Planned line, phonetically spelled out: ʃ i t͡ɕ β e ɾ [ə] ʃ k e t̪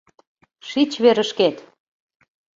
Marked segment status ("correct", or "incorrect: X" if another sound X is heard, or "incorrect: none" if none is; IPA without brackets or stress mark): correct